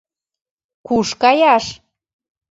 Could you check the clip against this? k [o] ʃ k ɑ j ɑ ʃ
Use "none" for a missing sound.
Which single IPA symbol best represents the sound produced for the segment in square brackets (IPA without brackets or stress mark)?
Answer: u